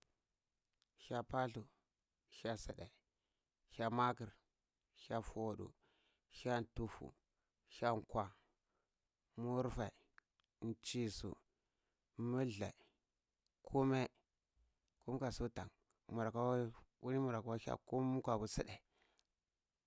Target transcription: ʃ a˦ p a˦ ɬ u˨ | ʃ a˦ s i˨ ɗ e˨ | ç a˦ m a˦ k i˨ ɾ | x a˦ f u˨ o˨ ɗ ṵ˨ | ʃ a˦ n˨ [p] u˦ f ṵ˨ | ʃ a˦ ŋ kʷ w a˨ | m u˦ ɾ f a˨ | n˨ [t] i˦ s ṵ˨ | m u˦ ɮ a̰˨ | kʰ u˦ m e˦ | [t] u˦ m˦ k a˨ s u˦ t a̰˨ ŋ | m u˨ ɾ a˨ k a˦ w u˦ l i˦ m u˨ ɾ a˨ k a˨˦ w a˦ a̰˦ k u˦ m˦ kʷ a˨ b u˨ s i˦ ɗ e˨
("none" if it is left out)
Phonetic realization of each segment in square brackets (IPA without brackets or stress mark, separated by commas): t, t͡ʃ, k